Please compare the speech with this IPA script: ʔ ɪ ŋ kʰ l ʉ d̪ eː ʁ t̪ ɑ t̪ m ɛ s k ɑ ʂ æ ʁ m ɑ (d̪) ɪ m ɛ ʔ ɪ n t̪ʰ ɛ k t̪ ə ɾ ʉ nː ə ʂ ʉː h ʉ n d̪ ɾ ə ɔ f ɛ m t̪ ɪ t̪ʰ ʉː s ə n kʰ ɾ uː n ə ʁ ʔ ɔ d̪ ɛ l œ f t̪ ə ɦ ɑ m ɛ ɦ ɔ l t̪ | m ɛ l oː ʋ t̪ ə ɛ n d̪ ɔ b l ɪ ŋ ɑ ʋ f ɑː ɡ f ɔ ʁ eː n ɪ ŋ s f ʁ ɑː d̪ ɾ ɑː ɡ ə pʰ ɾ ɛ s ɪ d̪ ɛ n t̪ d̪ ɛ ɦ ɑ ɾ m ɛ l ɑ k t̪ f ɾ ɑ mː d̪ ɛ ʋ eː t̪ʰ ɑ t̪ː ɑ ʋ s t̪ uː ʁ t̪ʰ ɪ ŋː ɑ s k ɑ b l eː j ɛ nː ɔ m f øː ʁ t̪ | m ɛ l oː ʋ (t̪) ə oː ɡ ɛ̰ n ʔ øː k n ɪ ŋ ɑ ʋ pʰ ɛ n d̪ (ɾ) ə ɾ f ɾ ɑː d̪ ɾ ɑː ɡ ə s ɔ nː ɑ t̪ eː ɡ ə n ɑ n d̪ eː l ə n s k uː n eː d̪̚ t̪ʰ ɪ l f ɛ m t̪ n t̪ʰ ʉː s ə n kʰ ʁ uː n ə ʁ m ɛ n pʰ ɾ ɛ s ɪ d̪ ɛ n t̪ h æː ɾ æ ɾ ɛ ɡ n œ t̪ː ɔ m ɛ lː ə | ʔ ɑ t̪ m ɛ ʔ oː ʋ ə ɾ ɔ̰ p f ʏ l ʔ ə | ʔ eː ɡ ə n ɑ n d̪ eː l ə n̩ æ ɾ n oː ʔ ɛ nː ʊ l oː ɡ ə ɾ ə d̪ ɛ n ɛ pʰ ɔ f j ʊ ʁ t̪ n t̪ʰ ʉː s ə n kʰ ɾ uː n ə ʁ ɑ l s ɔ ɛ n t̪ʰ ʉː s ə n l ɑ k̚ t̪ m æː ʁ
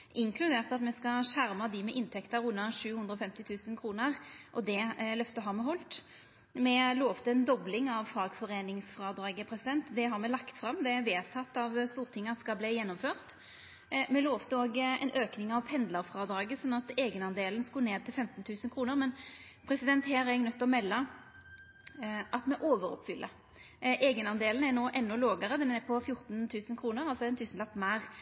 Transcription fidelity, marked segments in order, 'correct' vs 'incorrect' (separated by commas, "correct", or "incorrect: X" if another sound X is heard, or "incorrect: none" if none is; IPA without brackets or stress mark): correct, correct, incorrect: l